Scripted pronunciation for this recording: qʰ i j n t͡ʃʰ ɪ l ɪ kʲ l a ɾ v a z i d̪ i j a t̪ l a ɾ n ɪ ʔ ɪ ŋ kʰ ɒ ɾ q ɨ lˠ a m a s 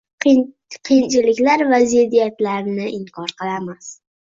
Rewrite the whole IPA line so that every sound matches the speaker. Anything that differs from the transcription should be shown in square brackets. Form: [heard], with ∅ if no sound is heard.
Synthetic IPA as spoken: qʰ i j n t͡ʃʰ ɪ l ɪ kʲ l a ɾ v a z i d̪ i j a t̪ l a ɾ n ɪ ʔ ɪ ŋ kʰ ɒ ɾ q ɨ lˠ a m a s